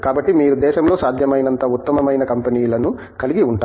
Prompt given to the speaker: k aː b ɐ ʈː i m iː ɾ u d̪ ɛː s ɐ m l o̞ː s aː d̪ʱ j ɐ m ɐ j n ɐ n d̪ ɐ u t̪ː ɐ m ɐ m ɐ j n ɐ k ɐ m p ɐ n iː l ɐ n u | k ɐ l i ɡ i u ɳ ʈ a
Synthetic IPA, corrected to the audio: k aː b ɐ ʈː i m iː ɾ u d̪ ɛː ʃ ɐ m l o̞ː s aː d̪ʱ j ɐ m ɐ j n ɐ n t̪ ɐ u t̪ː ɐ m ɐ m ɐ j n ɐ k ɐ m p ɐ n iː l ɐ n u | k ɐ l i ɡ i u ɳ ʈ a